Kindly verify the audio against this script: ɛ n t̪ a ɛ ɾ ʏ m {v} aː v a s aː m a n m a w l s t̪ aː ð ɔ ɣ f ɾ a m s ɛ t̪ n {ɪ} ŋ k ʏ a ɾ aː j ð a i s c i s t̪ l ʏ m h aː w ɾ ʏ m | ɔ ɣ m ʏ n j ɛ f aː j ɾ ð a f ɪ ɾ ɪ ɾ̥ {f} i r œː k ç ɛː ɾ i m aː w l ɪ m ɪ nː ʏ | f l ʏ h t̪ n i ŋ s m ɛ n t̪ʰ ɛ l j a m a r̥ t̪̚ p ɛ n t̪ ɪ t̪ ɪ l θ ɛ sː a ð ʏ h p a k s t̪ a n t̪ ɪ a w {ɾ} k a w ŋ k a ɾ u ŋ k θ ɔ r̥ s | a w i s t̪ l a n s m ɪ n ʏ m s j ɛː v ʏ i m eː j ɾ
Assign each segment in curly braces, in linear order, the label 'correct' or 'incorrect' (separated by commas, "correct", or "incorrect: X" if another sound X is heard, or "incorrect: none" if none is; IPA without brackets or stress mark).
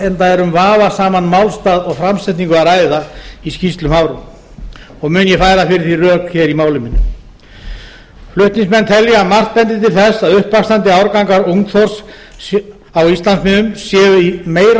correct, incorrect: i, incorrect: θ, correct